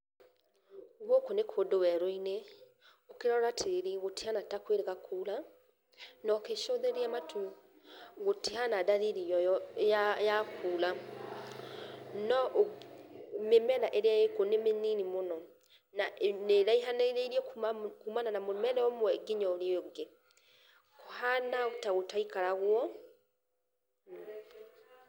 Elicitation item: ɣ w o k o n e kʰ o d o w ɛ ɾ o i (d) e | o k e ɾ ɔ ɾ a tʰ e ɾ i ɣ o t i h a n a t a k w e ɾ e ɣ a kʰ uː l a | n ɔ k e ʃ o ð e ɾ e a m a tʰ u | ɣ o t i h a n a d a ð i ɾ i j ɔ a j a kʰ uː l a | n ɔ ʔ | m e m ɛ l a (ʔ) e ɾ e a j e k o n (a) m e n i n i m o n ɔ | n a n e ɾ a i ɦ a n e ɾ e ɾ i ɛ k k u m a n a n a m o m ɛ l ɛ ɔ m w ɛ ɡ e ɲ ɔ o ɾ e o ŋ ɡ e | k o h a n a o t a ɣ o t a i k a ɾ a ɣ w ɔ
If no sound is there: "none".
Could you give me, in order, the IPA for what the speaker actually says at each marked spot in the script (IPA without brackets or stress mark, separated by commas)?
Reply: n, ʔ, e